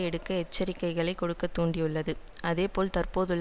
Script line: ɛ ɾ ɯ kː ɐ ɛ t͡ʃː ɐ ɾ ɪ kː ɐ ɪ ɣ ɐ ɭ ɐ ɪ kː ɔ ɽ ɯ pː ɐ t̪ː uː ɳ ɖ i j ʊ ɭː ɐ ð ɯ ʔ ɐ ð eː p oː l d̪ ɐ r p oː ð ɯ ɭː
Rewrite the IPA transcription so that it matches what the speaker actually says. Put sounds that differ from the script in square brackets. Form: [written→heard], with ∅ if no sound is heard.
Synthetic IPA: ɛ [ɾ→ɽ] ɯ kː ɐ ɛ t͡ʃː ɐ ɾ ɪ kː ɐ ɪ ɣ ɐ ɭ ɐ ɪ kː ɔ ɽ ɯ [pː→kː] ɐ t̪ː uː ɳ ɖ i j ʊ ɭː ɐ ð ɯ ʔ ɐ ð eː p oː l [d̪→t̪] ɐ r p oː ð ɯ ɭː